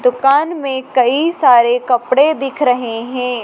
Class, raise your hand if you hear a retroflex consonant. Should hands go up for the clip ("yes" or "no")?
yes